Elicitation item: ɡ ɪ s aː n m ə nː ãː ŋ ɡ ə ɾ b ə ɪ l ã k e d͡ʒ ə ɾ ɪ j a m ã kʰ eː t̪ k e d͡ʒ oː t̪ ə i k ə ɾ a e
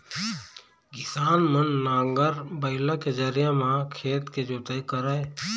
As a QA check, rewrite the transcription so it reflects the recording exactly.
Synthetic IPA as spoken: ɡ ɪ s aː n m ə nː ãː ŋ ɡ ə ɾ b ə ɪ l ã k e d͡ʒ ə ɾ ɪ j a m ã kʰ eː t̪ k e d͡ʒ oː t̪ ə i k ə ɾ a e